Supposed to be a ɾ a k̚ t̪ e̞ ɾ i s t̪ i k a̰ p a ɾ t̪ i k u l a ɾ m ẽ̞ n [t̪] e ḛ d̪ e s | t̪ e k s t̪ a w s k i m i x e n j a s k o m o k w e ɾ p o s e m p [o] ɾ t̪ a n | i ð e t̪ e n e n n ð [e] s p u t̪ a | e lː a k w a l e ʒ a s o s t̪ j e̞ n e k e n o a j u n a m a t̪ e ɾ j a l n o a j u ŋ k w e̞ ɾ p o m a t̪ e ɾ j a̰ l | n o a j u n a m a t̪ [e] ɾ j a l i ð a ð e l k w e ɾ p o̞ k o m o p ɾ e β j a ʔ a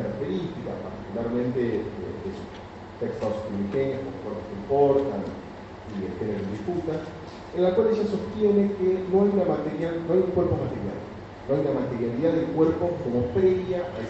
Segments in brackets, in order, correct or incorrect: correct, correct, incorrect, correct

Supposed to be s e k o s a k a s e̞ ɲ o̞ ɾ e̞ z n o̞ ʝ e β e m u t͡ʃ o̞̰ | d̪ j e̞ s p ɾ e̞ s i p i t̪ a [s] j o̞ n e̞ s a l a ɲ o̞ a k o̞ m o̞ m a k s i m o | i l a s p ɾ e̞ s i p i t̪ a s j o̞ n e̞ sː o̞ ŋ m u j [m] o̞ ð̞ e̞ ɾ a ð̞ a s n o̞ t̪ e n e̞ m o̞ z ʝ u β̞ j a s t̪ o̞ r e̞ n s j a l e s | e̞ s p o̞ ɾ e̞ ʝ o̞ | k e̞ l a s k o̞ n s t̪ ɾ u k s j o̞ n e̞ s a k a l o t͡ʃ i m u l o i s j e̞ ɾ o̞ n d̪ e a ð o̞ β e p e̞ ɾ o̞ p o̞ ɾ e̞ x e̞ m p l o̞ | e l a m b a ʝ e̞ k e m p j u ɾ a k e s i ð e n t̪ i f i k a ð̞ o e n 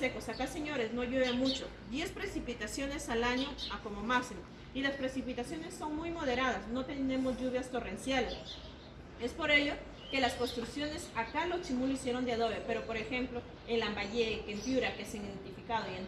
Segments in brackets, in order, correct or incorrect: correct, correct

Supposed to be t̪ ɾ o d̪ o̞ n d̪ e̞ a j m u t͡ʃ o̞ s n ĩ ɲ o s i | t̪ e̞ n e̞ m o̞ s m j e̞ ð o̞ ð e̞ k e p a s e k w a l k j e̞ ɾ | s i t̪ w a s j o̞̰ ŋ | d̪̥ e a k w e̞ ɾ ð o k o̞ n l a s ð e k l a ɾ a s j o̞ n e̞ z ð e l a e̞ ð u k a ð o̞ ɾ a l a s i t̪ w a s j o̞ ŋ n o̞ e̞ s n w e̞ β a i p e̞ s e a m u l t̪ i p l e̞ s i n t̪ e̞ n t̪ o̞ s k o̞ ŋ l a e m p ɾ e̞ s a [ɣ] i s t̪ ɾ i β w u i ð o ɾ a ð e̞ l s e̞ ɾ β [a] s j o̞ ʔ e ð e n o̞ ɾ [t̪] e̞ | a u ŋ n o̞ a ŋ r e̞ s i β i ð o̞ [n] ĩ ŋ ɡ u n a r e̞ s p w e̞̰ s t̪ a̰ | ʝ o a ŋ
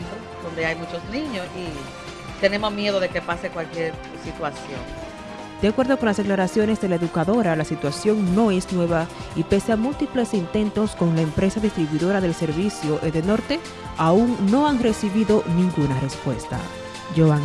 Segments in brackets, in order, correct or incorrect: incorrect, incorrect, correct, correct

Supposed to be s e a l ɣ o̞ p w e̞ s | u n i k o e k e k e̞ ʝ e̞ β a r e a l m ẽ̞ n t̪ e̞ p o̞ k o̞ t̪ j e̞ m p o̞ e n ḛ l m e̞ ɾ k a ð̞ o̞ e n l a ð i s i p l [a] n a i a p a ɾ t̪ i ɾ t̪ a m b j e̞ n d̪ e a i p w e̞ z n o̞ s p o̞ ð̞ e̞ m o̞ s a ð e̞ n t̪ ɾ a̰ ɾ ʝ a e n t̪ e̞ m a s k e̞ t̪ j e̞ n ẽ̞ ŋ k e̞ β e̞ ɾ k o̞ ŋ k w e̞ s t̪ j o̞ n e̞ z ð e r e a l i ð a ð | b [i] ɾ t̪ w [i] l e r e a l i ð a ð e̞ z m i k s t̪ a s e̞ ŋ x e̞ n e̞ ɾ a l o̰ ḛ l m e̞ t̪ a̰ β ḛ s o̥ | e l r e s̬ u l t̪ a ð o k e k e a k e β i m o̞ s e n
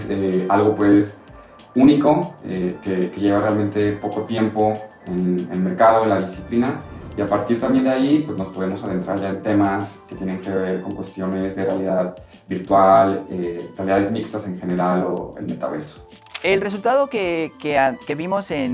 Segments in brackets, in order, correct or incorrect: incorrect, correct, incorrect

